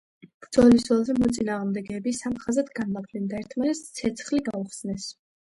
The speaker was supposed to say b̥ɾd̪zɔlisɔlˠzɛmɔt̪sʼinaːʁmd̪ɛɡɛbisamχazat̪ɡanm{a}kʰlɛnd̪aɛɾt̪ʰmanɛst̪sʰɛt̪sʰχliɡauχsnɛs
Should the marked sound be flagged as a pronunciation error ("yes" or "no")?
no